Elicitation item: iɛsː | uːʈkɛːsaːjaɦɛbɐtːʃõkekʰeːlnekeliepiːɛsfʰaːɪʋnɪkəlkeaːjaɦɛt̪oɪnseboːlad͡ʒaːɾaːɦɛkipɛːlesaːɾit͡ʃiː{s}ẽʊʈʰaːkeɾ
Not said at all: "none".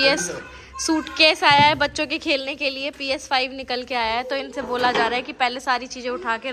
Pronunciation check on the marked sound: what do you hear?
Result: z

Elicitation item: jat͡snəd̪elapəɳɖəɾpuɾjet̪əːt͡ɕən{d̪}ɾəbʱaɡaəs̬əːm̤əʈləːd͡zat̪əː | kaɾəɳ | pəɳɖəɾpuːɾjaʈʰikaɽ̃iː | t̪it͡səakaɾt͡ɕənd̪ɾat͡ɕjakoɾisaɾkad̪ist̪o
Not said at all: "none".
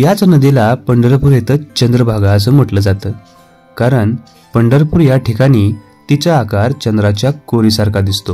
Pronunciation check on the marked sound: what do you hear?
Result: d̪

